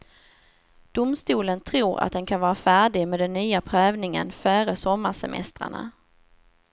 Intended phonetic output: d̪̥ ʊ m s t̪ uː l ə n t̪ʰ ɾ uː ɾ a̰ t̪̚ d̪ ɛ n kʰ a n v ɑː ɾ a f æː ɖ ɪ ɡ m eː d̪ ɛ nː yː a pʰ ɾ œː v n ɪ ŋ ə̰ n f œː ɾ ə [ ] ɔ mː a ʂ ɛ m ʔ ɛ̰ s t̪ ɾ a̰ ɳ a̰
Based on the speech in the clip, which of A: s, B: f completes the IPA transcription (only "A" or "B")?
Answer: A